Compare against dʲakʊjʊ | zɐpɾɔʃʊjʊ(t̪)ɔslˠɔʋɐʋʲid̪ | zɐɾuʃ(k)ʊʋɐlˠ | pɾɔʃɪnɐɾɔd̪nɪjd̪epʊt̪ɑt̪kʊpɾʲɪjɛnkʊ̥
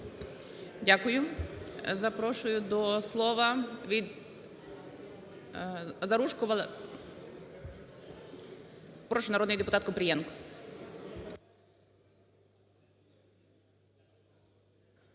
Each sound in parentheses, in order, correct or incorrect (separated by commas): incorrect, correct